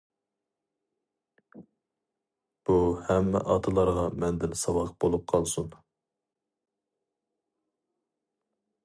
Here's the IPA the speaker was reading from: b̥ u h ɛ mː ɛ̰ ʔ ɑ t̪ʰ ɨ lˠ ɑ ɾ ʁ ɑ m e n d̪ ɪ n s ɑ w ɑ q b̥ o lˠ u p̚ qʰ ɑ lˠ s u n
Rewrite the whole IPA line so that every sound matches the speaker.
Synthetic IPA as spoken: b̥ u h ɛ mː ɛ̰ ʔ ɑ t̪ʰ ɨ lˠ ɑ ɾ ʁ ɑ m ɛ n d̪ ɪ n s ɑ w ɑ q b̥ o lˠ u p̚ qʰ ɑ lˠ s u n